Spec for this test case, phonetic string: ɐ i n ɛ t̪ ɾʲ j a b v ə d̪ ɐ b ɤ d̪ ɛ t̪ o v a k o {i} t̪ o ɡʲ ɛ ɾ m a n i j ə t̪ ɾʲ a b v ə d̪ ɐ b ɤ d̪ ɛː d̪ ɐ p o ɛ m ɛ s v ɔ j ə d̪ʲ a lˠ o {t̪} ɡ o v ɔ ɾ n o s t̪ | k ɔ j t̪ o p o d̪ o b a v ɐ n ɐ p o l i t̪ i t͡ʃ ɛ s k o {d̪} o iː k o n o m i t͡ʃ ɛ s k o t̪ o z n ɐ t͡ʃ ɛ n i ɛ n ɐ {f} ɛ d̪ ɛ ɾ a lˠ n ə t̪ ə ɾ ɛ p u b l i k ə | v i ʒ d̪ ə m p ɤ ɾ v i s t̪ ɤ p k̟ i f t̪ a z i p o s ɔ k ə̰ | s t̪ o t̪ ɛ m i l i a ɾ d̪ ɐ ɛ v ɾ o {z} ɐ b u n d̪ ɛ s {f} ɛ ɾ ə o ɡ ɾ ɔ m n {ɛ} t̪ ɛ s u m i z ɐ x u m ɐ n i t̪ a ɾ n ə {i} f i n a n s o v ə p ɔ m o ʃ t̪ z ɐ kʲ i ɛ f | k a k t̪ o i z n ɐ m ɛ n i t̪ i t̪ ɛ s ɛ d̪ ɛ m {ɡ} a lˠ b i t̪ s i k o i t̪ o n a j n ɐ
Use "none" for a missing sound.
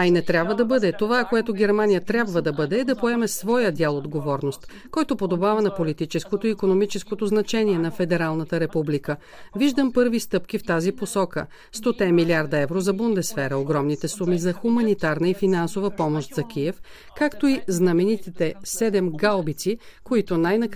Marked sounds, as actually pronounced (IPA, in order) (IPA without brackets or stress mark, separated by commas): ɛ, d̪, t̪, f, z, f, i, i, ɡ